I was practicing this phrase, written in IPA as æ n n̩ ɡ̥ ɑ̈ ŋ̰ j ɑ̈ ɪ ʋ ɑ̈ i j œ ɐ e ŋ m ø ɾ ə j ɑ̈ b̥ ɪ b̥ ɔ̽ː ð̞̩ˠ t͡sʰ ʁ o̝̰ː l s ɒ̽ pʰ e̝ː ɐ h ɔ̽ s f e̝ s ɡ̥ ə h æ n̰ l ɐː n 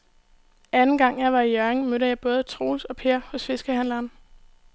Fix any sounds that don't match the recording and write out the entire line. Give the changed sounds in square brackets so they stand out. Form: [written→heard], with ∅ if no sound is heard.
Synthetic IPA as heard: æ n n̩ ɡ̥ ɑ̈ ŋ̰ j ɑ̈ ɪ ʋ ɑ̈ i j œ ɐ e ŋ m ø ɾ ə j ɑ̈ [b̥→∅] ɪ b̥ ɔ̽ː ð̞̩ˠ t͡sʰ ʁ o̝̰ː l s ɒ̽ pʰ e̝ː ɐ h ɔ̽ s f e̝ s ɡ̥ ə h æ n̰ l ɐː n

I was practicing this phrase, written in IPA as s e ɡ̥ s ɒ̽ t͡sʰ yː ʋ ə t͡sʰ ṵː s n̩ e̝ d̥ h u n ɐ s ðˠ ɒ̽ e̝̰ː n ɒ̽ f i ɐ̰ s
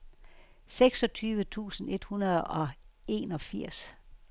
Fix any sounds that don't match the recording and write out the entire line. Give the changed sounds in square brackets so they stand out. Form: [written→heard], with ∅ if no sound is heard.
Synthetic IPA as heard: s e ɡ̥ s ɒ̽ t͡sʰ yː ʋ ə t͡sʰ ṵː s n̩ e̝ d̥ h u n ɐ [s→∅] ðˠ ɒ̽ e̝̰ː n ɒ̽ f i ɐ̰ s

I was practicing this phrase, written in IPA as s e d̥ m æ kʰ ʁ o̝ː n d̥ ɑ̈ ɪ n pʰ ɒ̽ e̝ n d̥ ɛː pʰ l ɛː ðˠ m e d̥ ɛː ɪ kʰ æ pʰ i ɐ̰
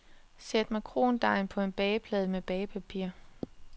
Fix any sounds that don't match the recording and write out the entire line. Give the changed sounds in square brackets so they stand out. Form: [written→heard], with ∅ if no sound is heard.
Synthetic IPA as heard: s e d̥ m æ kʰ ʁ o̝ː n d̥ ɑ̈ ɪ n pʰ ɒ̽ e̝ n [d̥→b̥] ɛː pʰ l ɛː ðˠ m e [d̥→b̥] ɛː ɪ [kʰ→pʰ] æ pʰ i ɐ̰

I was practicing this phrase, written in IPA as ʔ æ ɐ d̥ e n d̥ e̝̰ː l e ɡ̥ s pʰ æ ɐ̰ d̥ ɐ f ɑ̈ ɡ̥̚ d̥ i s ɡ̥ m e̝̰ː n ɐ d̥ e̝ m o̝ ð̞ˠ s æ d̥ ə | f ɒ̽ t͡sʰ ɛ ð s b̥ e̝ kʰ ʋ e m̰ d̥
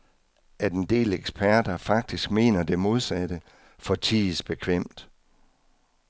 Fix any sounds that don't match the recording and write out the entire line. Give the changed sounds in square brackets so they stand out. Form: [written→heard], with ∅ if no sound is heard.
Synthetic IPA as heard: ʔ æ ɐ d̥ e n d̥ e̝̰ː l e ɡ̥ s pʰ æ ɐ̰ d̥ ɐ f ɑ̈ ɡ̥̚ d̥ i s ɡ̥ m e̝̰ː n ɐ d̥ e̝ m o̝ ð̞ˠ s æ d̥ ə | f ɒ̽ t͡sʰ [ɛ→i] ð s b̥ e̝ kʰ ʋ e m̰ d̥

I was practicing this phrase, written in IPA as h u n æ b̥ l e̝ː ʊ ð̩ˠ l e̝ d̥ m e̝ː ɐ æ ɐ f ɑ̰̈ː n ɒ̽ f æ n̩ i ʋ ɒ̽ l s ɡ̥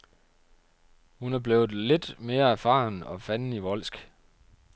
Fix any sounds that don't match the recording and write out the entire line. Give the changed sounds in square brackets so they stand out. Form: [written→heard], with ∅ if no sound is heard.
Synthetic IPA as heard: h u n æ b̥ l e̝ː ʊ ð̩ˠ l e̝ d̥ m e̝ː ɐ æ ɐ f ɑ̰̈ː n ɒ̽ f æ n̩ i ʋ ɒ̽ l s ɡ̥

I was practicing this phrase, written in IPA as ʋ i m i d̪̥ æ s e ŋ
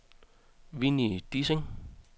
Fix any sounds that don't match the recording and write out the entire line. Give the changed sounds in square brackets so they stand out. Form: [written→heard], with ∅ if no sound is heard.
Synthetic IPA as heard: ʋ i [m→n] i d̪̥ [æ→i] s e ŋ

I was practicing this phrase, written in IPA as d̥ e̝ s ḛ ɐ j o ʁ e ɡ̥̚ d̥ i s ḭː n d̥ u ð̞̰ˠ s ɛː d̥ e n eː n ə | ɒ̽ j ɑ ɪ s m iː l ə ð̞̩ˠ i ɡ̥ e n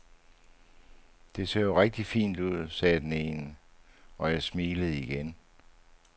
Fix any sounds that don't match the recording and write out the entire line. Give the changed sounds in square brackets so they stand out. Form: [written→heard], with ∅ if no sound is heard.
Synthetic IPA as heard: d̥ e̝ s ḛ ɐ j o ʁ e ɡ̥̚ d̥ i [s→f] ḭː n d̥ u ð̞̰ˠ s ɛː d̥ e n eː n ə | ɒ̽ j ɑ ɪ s m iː l ə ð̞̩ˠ i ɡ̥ e n

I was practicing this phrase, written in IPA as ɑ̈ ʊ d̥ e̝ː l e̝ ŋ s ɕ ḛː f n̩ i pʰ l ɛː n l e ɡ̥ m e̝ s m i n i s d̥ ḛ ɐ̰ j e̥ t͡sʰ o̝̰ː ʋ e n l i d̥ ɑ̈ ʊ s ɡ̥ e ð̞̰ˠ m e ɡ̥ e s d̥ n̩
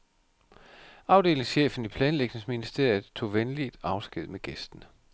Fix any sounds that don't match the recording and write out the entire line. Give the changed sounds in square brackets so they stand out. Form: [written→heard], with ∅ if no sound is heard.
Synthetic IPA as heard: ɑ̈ ʊ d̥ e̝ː l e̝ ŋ s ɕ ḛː f n̩ i pʰ l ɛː n l e ɡ̥ [m→n] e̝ s m i n i s d̥ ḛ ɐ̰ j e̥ t͡sʰ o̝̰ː ʋ e n l i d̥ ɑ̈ ʊ s ɡ̥ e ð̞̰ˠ m e ɡ̥ e s d̥ n̩

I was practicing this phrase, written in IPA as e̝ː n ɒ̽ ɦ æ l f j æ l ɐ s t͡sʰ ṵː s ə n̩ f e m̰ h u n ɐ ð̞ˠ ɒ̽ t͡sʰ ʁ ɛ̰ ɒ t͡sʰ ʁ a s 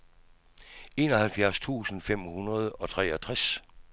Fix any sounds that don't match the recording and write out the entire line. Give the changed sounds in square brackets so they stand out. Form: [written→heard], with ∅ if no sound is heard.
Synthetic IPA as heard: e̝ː n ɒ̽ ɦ æ l f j æ [l→∅] ɐ s t͡sʰ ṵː s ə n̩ f e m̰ h u n ɐ ð̞ˠ ɒ̽ t͡sʰ ʁ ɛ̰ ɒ t͡sʰ ʁ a s

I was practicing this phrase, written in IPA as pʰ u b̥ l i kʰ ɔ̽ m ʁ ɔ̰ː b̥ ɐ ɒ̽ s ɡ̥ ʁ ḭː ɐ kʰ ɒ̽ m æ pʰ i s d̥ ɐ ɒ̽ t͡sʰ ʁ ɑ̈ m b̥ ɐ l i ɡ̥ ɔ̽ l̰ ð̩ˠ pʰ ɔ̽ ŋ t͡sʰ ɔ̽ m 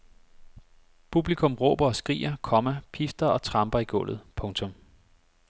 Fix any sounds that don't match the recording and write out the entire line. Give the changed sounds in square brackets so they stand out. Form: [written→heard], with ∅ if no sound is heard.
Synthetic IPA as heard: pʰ u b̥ l i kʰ ɔ̽ m ʁ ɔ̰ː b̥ ɐ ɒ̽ s ɡ̥ ʁ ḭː ɐ kʰ ɒ̽ m æ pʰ i [s→f] d̥ ɐ ɒ̽ t͡sʰ ʁ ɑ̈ m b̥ ɐ [l→∅] i ɡ̥ ɔ̽ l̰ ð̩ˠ pʰ ɔ̽ ŋ t͡sʰ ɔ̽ m

